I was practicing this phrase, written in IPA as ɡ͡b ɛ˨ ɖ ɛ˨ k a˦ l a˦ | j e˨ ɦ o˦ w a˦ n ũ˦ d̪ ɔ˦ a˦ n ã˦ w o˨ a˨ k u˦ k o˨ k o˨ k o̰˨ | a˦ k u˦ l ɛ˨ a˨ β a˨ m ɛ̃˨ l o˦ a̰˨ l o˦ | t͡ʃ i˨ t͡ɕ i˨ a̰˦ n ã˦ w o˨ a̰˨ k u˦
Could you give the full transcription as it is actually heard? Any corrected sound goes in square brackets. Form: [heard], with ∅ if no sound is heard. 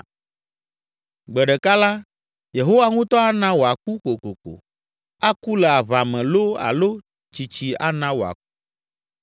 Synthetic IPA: ɡ͡b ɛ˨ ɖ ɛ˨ k a˦ l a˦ | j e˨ ɦ o˦ w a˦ [ŋ] ũ˦ [t̪] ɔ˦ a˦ n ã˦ w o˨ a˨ k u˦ k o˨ k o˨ k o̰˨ | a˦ k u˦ l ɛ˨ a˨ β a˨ m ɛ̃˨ l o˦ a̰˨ l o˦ | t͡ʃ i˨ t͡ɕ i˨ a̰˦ n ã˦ w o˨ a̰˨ k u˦